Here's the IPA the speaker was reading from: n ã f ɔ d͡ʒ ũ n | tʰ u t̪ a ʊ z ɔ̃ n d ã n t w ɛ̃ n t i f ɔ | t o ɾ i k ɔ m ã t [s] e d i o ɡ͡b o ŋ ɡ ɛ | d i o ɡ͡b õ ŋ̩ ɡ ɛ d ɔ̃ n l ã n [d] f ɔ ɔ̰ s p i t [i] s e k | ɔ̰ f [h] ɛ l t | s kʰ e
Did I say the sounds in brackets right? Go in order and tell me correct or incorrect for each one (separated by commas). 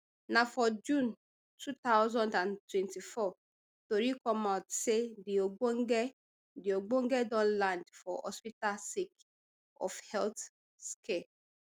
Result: correct, correct, incorrect, correct